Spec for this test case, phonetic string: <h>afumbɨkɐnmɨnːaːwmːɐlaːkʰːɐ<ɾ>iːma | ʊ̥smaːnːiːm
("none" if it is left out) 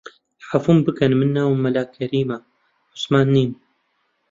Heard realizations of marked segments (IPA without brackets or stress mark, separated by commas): ħ, ɾ